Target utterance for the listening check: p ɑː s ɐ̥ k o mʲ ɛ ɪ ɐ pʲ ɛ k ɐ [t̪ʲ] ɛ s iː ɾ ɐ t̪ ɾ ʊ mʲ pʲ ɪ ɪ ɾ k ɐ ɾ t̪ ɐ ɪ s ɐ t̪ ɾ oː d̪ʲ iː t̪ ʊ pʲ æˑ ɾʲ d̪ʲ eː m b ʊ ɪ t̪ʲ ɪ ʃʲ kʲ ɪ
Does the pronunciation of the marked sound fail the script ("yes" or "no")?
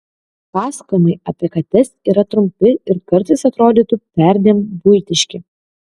no